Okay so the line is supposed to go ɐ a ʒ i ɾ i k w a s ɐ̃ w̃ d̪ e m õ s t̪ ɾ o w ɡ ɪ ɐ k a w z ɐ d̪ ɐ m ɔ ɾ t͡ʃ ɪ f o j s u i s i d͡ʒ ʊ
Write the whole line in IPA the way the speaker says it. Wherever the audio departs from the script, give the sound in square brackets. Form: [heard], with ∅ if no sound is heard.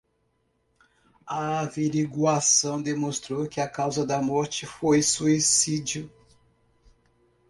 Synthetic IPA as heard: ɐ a [v] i ɾ i [ɡ] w a s ɐ̃ w̃ d̪ e m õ s t̪ ɾ o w [k] ɪ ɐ k a w z ɐ d̪ ɐ m ɔ ɾ t͡ʃ ɪ f o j s u i s i d͡ʒ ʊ